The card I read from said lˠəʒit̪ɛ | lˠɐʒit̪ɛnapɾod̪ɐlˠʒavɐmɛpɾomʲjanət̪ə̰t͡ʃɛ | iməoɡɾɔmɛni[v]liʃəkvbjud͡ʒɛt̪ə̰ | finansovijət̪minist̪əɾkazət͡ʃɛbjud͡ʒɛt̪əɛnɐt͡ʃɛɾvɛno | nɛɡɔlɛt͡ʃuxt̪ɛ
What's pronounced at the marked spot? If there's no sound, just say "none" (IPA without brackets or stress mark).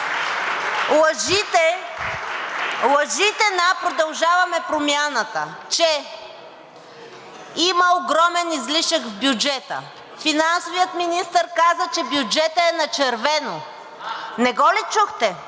z